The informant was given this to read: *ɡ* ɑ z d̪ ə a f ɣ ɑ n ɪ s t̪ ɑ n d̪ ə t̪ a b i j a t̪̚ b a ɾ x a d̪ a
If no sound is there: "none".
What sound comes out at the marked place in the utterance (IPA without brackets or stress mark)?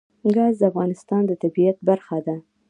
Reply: ɡ